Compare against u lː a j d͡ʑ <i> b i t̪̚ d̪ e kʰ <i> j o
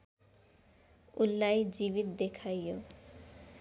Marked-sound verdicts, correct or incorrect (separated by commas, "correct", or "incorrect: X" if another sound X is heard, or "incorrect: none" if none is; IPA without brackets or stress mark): correct, incorrect: a